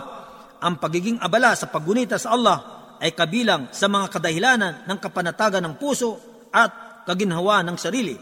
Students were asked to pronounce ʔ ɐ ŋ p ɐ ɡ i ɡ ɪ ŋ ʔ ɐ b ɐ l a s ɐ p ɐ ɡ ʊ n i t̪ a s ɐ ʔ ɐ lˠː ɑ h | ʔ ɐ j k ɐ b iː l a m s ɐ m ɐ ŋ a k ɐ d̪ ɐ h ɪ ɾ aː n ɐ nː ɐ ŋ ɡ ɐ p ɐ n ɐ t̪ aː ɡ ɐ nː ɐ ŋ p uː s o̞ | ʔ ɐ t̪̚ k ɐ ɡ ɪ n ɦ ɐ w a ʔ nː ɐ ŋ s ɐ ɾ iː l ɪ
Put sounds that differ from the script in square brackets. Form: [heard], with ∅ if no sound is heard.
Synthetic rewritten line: ʔ ɐ ŋ p ɐ ɡ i ɡ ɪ ŋ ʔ ɐ b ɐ l a s ɐ p ɐ ɡ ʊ n i t̪ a s ɐ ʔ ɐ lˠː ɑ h | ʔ ɐ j k ɐ b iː l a [ŋ] s ɐ m ɐ ŋ a k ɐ d̪ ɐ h ɪ [l] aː n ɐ nː ɐ ŋ [k] ɐ p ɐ n ɐ t̪ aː ɡ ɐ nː ɐ ŋ p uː s o̞ | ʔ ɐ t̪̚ k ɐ ɡ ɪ n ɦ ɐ w a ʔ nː ɐ ŋ s ɐ ɾ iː l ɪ